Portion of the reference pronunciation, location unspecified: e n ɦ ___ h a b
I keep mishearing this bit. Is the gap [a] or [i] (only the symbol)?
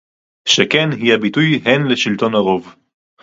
i